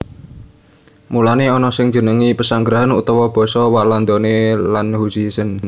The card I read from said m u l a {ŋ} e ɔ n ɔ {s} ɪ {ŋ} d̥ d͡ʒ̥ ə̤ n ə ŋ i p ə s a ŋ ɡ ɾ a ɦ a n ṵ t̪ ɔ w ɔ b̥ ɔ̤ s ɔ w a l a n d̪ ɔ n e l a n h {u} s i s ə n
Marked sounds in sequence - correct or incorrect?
incorrect, correct, correct, correct

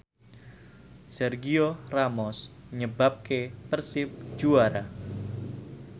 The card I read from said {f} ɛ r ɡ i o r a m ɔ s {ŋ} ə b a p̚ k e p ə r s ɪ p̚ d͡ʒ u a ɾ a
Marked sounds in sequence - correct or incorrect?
incorrect, incorrect

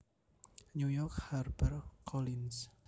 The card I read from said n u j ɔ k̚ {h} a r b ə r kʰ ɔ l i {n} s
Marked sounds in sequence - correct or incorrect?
correct, correct

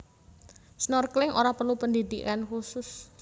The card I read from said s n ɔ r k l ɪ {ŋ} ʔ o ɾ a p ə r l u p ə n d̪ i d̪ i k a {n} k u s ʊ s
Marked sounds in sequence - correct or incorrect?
correct, correct

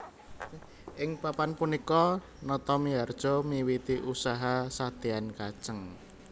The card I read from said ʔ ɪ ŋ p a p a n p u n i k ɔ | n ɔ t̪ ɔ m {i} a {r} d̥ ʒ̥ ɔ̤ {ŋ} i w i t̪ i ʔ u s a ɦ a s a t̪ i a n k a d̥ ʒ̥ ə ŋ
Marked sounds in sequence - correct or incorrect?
correct, correct, incorrect

